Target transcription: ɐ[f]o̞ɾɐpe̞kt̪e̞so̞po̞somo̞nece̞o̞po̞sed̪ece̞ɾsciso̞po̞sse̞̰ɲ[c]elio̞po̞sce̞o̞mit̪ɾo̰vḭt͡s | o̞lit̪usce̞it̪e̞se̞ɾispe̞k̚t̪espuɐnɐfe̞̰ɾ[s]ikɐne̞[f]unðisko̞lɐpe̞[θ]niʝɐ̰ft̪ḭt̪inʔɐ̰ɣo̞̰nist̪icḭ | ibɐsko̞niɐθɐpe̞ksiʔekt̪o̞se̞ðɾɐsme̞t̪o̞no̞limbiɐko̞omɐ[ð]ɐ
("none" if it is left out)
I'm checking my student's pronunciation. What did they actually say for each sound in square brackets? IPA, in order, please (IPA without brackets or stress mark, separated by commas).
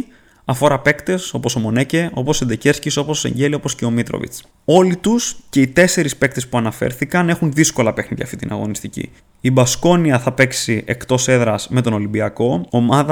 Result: f, ɟ, θ, x, x, ð